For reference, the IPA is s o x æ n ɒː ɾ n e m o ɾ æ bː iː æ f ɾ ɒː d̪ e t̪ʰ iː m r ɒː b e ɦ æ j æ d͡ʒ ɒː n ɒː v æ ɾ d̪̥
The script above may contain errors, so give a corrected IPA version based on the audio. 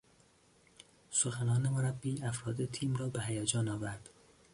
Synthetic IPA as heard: s o x æ n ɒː n e m o ɾ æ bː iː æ f ɾ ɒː d̪ e t̪ʰ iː m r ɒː b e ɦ æ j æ d͡ʒ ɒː n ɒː v æ ɾ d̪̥

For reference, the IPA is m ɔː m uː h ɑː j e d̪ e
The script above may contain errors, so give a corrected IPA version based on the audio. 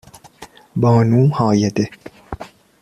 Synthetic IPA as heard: b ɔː n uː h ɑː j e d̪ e

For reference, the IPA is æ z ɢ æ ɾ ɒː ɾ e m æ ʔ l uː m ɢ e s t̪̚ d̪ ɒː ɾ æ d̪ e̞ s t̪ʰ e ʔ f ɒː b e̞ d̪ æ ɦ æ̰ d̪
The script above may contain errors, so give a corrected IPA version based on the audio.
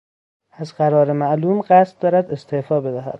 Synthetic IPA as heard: æ z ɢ æ ɾ ɒː ɾ e m æ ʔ l uː m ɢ æ s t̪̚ d̪ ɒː ɾ æ d̪ e̞ s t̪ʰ e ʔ f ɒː b e̞ d̪ æ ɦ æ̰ d̪

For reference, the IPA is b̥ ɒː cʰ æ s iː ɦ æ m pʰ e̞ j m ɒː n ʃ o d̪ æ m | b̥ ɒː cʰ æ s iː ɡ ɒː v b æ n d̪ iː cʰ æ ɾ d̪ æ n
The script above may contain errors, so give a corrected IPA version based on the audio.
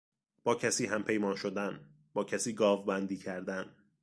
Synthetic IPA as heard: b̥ ɒː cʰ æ s iː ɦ æ m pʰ e̞ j m ɒː n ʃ o d̪ æ n | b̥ ɒː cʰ æ s iː ɡ ɒː v b æ n d̪ iː cʰ æ ɾ d̪ æ n

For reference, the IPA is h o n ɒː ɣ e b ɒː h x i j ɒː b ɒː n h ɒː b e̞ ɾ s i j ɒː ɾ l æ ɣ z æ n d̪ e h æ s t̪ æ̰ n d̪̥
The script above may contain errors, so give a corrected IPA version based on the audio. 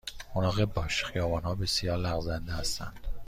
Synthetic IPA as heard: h o n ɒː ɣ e b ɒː ʃ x i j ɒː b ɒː n h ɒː b e̞ s i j ɒː ɾ l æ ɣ z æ n d̪ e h æ s t̪ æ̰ n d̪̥

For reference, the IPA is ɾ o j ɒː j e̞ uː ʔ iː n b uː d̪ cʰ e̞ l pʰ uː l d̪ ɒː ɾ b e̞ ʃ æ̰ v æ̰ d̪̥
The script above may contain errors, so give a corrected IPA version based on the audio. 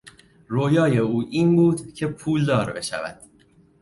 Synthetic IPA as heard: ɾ o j ɒː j e̞ uː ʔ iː n b uː d̪ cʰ e̞ pʰ uː l d̪ ɒː ɾ b e̞ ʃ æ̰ v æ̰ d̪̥

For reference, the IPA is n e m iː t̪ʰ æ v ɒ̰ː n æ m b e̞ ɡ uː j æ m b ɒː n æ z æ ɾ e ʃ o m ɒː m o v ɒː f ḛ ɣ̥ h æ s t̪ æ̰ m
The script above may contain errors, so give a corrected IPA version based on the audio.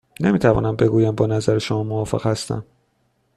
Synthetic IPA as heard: n e m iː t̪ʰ æ v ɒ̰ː n æ m b e̞ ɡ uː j æ m b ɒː n æ z æ ɾ e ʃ o m ɒː m o v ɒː f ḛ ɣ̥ h æ s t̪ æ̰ m

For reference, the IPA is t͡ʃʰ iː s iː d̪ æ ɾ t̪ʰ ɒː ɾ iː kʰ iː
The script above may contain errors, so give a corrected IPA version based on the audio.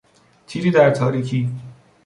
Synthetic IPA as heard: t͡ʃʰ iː z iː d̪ æ ɾ t̪ʰ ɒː ɾ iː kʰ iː

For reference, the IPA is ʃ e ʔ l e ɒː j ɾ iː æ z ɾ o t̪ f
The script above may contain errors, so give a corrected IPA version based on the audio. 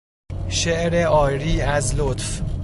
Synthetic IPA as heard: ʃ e ʔ ɾ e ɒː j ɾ iː æ z l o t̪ f

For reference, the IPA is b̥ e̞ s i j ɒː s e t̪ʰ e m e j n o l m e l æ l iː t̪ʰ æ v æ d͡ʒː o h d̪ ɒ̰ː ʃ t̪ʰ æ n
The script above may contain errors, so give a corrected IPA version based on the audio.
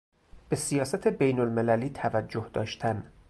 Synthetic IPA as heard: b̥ e̞ s i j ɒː s æ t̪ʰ e b e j n o l m e l æ l iː t̪ʰ æ v æ d͡ʒː o h d̪ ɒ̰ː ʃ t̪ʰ æ n

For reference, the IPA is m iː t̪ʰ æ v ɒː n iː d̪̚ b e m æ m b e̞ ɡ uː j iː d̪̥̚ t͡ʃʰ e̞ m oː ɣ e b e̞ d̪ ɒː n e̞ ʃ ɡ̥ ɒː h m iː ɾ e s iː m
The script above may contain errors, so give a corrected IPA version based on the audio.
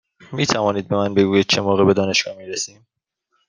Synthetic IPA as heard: m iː t̪ʰ æ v ɒː n iː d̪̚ b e m æ n b e̞ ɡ uː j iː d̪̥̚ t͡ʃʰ e̞ m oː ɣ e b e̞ d̪ ɒː n e̞ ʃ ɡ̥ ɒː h m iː ɾ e s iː m

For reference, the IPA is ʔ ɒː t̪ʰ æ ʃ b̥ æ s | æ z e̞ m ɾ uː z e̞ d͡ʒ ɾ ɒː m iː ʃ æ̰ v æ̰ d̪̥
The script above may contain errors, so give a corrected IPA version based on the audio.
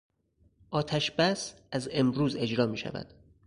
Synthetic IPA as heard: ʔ ɒː t̪ʰ æ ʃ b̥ æ s | æ z e̞ m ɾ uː z e̞ d͡ʒ ɾ ɒː m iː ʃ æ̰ v æ̰ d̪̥

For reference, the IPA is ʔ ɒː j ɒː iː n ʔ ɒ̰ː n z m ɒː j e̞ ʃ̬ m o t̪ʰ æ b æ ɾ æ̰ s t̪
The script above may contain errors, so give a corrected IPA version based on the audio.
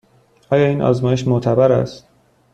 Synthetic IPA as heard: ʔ ɒː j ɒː iː n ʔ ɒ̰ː z m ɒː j e̞ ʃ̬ m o t̪ʰ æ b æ ɾ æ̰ s t̪

